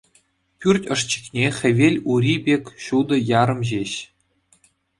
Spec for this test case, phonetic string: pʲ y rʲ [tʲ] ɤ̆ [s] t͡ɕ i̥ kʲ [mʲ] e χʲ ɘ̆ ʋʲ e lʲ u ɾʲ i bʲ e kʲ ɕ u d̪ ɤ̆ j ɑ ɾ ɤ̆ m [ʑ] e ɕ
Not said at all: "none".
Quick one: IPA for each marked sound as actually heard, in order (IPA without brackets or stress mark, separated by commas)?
tʲ, ʂ, nʲ, ʑ